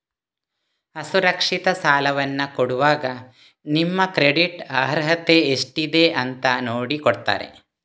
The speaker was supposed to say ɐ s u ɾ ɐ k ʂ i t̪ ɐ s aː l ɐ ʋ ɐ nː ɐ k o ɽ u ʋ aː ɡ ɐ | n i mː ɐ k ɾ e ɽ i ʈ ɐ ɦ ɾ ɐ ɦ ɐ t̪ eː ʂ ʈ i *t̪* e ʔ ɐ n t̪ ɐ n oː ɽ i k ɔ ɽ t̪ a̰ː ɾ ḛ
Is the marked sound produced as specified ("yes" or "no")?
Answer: no